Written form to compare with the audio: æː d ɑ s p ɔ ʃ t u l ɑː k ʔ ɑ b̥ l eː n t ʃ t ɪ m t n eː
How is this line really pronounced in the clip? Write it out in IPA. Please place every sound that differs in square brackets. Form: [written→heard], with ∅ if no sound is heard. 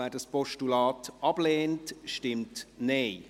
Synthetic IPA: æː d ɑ s p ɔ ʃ t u l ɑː [k→t] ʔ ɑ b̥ l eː n t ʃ t ɪ m t n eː